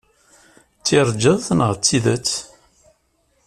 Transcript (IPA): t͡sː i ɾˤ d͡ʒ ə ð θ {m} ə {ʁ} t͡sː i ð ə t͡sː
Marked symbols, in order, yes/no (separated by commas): no, yes